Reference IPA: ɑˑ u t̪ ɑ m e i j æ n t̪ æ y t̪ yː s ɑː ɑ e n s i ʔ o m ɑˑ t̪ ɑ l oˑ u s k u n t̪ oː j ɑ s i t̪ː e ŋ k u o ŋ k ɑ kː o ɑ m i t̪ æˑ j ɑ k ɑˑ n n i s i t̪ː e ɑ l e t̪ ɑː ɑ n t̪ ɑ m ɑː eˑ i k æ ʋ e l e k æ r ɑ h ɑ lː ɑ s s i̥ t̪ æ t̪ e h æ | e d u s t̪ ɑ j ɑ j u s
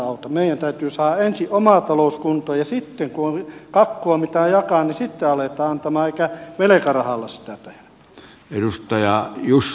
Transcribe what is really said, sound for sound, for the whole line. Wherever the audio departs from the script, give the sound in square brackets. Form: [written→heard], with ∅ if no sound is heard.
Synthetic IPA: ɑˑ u t̪ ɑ m e i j æ n t̪ æ y t̪ yː s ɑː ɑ e n s i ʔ o m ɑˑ t̪ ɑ l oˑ u s k u n t̪ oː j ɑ s i t̪ː e ŋ k u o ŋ k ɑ kː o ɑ m i t̪ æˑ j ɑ k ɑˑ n n i s i t̪ː e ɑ l e t̪ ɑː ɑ n t̪ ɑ m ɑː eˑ i k æ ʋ e l e k æ r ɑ h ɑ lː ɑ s s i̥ t̪ æ t̪ e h æ | e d u s t̪ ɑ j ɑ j u s